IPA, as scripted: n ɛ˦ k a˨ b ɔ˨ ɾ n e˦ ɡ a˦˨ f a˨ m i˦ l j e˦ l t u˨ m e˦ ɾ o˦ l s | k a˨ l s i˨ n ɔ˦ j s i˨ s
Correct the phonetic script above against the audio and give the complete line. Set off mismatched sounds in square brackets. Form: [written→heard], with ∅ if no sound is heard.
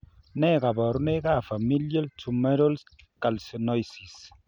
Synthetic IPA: n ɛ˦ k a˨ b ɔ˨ ɾ n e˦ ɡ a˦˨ f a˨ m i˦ l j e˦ l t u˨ m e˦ ɾ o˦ l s | k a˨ l s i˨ n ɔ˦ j s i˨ s